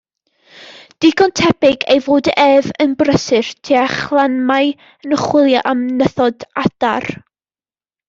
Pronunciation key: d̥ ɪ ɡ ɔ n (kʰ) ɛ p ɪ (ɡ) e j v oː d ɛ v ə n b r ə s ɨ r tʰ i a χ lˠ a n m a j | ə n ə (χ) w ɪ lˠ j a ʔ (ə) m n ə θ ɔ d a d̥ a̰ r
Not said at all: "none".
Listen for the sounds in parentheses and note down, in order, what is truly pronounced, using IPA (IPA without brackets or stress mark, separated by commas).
tʰ, ɡ, χ, a